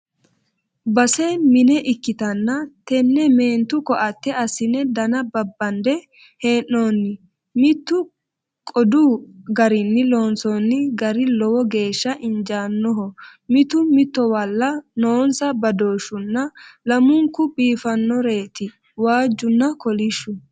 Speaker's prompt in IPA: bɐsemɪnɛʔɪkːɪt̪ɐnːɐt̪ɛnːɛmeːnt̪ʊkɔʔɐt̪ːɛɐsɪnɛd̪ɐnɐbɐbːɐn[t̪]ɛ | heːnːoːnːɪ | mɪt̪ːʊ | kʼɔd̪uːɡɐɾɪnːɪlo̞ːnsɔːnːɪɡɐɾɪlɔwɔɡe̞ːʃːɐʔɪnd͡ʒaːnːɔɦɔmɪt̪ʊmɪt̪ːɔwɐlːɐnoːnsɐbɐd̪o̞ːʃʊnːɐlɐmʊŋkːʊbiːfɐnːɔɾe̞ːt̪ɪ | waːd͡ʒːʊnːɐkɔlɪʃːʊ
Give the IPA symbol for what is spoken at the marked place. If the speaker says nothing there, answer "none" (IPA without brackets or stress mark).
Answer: d̪